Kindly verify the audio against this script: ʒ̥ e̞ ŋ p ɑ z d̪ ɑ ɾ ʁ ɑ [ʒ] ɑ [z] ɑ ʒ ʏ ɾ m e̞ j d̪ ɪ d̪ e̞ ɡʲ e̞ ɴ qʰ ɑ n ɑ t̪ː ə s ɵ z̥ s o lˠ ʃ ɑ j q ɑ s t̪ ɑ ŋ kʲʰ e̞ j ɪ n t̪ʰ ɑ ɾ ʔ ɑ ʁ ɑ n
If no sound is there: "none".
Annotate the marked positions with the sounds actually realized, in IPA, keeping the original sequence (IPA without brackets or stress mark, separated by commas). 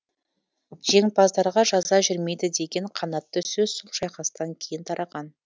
ʒ, z